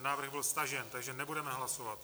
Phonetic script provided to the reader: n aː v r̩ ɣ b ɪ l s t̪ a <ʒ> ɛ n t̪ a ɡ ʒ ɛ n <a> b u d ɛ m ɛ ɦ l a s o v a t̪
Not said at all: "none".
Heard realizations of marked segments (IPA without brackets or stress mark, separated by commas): ʒ, ɛ